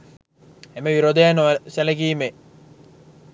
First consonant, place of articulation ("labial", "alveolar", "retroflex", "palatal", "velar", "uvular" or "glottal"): labial